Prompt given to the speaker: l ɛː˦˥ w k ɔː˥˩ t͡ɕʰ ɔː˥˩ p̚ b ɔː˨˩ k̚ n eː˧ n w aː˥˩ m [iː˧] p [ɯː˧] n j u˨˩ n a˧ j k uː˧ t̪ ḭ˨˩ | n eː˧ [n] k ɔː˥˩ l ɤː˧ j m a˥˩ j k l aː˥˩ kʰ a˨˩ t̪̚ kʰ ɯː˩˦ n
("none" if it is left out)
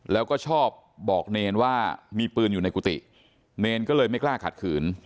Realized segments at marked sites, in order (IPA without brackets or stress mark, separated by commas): iː˧, ɯː˧, n